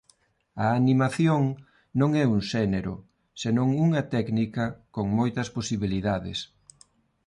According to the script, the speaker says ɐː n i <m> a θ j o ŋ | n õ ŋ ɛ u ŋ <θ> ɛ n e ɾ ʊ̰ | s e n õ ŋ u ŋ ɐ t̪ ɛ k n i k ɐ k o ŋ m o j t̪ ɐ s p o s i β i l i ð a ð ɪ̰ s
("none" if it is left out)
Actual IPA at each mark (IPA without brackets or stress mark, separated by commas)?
m, ʃ